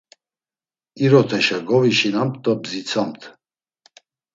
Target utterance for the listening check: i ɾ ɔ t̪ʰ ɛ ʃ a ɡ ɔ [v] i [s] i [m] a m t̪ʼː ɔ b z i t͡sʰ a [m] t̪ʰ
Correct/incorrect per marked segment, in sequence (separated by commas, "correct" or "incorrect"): correct, incorrect, incorrect, correct